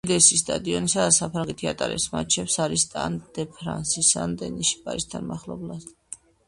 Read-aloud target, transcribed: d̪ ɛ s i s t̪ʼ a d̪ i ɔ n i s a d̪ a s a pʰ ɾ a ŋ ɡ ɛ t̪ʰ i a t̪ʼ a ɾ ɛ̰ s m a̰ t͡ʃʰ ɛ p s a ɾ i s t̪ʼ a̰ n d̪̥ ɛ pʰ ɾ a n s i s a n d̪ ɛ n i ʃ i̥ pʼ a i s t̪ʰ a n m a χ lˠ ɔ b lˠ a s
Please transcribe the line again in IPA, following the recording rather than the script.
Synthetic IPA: d̪ ɛ s i s t̪ʼ a d̪ i ɔ n i s a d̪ a s a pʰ ɾ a ŋ ɡ ɛ t̪ʰ i a t̪ʼ a ɾ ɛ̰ s m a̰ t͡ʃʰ ɛ p s a ɾ i s t̪ʼ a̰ n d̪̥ ɛ pʰ ɾ a n s i s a n d̪ ɛ n i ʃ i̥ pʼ a i s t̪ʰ a n m a χ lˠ ɔ b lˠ a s

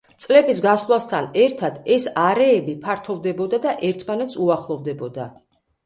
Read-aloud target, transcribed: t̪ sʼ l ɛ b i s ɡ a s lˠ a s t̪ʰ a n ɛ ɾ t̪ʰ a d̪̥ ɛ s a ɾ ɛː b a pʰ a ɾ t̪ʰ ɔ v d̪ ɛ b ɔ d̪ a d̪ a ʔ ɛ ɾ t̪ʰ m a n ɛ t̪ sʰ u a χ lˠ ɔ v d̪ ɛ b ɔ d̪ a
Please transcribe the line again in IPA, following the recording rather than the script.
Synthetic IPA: t̪ sʼ l ɛ b i s ɡ a s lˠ a s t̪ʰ a n ɛ ɾ t̪ʰ a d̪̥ ɛ s a ɾ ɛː b i pʰ a ɾ t̪ʰ ɔ v d̪ ɛ b ɔ d̪ a d̪ a ʔ ɛ ɾ t̪ʰ m a n ɛ t̪ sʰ u a χ lˠ ɔ v d̪ ɛ b ɔ d̪ a

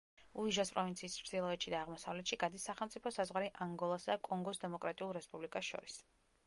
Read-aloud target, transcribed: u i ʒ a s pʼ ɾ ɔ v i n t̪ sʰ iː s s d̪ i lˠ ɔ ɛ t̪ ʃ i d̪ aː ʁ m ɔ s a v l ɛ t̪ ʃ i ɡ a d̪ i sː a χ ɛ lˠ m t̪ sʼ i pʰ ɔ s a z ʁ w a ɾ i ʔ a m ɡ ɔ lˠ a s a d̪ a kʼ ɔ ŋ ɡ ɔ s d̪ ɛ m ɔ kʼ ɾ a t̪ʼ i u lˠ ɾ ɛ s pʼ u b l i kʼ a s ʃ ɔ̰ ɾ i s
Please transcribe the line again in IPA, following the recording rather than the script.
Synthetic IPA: u i ʒ a s pʼ ɾ ɔ v i n t̪ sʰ iː s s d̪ i lˠ ɔ ɛ t̪ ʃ i d̪ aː ʁ m ɔ s a v l ɛ t̪ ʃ i ɡ a d̪ i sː a χ ɛ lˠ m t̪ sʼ i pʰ ɔ s a z ʁ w a ɾ i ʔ a ŋ ɡ ɔ lˠ a s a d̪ a kʼ ɔ ŋ ɡ ɔ s d̪ ɛ m ɔ kʼ ɾ a t̪ʼ i u lˠ ɾ ɛ s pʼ u b l i kʼ a s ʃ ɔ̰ ɾ i s

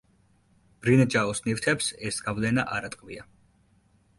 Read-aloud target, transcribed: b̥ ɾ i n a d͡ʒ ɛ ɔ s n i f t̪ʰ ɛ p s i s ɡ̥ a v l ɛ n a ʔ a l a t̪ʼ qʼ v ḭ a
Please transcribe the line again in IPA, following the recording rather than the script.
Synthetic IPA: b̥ ɾ i n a d͡ʒ a ɔ s n i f t̪ʰ ɛ p s ɛ s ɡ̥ a v l ɛ n a ʔ a ɾ a t̪ʼ qʼ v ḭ a

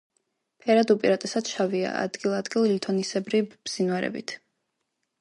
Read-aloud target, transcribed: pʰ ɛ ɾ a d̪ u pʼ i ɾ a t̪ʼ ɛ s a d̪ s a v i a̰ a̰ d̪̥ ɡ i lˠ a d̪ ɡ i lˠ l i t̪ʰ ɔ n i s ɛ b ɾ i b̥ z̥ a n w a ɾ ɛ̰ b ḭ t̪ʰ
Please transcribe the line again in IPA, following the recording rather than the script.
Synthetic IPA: pʰ ɛ ɾ a d̪ u pʼ i ɾ a t̪ʼ ɛ s a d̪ ʃ a v i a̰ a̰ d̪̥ ɡ i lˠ a d̪ ɡ i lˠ l i t̪ʰ ɔ n i s ɛ b ɾ i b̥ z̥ i n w a ɾ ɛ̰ b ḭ t̪ʰ

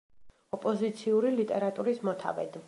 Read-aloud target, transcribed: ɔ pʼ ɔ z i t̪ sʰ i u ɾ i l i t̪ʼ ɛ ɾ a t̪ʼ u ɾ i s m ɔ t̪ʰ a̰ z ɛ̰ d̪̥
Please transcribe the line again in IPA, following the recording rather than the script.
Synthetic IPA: ɔ pʼ ɔ z i t̪ sʰ i u ɾ i l i t̪ʼ ɛ ɾ a t̪ʼ u ɾ i s m ɔ t̪ʰ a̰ v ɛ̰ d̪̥

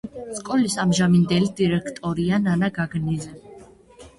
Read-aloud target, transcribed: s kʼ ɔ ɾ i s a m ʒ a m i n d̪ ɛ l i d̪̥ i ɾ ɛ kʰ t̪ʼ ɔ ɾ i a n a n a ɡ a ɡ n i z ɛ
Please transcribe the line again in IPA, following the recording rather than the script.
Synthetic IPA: s kʼ ɔ l i s a m ʒ a m i n d̪ ɛ l i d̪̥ i ɾ ɛ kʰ t̪ʼ ɔ ɾ i a n a n a ɡ a ɡ n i z ɛ

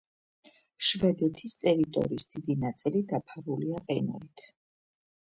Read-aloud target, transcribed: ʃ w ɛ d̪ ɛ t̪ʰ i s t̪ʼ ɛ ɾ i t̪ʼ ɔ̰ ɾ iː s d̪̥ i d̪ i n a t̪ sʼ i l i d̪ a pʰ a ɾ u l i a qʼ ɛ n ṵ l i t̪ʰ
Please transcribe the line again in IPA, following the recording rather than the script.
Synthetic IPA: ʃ v ɛ d̪ ɛ t̪ʰ i s t̪ʼ ɛ ɾ i t̪ʼ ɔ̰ ɾ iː s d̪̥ i d̪ i n a t̪ sʼ i l i d̪ a pʰ a ɾ u l i a qʼ ɛ n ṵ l i t̪ʰ

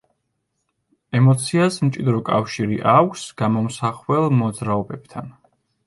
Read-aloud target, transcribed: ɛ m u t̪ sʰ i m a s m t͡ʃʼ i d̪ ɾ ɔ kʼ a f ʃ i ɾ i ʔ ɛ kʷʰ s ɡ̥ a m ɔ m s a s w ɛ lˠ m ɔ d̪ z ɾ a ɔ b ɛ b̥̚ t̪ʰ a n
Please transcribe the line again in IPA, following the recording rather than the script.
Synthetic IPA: ɛ m ɔ t̪ sʰ i a s m t͡ʃʼ i d̪ ɾ ɔ kʼ a f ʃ i ɾ i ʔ a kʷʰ s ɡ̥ a m ɔ m s a χ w ɛ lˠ m ɔ d̪ z ɾ a ɔ b ɛ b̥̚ t̪ʰ a n

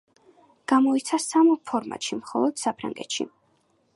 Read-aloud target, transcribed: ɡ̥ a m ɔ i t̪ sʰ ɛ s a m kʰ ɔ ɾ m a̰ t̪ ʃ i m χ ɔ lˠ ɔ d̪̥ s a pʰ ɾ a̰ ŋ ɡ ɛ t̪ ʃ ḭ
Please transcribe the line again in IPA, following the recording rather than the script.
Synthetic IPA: ɡ̥ a m ɔ i t̪ sʰ a s a m pʰ ɔ ɾ m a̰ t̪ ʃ i m χ ɔ lˠ ɔ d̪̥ s a pʰ ɾ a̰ ŋ ɡ ɛ t̪ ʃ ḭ

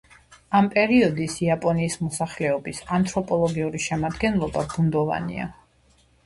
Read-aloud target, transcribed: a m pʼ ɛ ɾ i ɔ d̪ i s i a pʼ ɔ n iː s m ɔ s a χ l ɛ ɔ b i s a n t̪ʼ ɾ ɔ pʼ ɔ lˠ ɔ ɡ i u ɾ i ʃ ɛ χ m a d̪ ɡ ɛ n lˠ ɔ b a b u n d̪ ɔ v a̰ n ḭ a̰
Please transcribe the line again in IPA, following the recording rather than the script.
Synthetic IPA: a m pʼ ɛ ɾ i ɔ d̪ i s i a pʼ ɔ n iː s m ɔ s a χ l ɛ ɔ b i s a n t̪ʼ ɾ ɔ pʼ ɔ lˠ ɔ ɡ i u ɾ i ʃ ɛ m a d̪ ɡ ɛ n lˠ ɔ b a b u n d̪ ɔ v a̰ n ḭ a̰

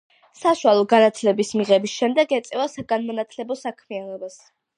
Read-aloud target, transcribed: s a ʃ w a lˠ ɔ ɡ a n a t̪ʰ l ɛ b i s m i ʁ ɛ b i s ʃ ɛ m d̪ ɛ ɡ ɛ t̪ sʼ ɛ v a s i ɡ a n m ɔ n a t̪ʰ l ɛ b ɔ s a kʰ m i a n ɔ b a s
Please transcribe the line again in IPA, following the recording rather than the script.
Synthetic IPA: s a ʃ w a lˠ ɔ ɡ a n a t̪ʰ l ɛ b i s m i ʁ ɛ b i s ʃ ɛ m d̪ ɛ ɡ ɛ t̪ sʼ ɛ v a s a ɡ a n m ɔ n a t̪ʰ l ɛ b ɔ s a kʰ m i a n ɔ b a s

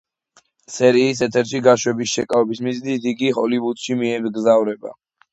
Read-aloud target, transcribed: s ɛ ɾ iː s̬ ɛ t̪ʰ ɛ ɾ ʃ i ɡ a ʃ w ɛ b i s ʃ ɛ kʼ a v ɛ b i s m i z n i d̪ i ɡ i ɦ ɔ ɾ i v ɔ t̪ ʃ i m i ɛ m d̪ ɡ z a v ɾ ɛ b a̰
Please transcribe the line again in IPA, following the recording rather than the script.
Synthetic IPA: s ɛ ɾ iː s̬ ɛ t̪ʰ ɛ ɾ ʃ i ɡ a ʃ w ɛ b i s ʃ ɛ kʼ a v ɛ b i s m i z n i d̪ i ɡ i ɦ ɔ l i v u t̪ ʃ i m i ɛ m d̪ ɡ z a v ɾ ɛ b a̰

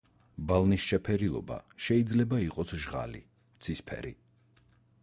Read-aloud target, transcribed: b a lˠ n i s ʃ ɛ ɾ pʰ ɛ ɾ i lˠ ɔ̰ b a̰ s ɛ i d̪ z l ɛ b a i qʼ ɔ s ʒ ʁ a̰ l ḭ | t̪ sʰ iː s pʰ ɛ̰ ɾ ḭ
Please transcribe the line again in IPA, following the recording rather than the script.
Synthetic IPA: b a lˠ n i s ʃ ɛ pʰ ɛ ɾ i lˠ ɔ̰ b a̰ ʃ ɛ i d̪ z l ɛ b a i qʼ ɔ s ʒ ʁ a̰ l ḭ | t̪ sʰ i s pʰ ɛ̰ ɾ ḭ

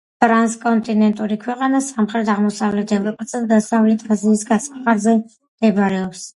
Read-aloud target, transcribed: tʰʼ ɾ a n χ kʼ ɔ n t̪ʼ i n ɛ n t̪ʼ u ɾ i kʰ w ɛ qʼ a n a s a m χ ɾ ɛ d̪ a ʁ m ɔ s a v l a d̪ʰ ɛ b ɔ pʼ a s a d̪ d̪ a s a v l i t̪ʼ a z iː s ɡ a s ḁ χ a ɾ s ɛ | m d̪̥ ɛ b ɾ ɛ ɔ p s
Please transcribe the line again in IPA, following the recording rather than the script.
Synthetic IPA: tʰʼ ɾ a n s kʼ ɔ n t̪ʼ i n ɛ n t̪ʼ u ɾ i kʰ w ɛ qʼ a n a s a m χ ɾ ɛ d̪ a ʁ m ɔ s a v l ɛ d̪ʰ ɛ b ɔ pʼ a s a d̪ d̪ a s a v l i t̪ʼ a z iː s ɡ a s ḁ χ a ɾ z ɛ | m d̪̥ ɛ b ɾ ɛ ɔ p s

